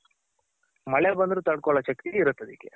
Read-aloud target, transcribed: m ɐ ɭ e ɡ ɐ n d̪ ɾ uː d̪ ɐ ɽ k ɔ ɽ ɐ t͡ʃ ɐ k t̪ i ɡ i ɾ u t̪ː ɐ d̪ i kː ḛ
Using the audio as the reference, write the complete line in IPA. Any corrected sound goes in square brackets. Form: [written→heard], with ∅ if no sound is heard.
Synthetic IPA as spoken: m ɐ ɭ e [ɡ→b] ɐ n d̪ ɾ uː [d̪→t̪] ɐ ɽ k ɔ [ɽ→ɭ] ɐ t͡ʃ ɐ k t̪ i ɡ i ɾ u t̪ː ɐ d̪ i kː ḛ